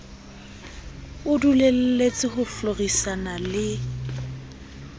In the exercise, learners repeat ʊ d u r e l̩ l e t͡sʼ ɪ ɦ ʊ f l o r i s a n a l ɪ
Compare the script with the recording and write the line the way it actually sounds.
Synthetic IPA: ʊ d u l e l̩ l e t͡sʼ ɪ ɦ ʊ f l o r i s a n a l ɪ